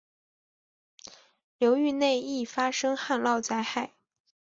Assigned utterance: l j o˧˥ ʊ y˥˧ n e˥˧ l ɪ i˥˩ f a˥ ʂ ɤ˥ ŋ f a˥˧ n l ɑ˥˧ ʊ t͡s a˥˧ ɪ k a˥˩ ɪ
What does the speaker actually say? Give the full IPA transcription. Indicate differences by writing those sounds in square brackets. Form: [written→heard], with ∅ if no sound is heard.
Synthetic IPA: l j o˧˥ ʊ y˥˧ n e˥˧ [l→∅] ɪ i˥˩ f a˥ ʂ ɤ˥ ŋ [f→x] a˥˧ n l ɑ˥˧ ʊ t͡s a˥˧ ɪ [k→x] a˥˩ ɪ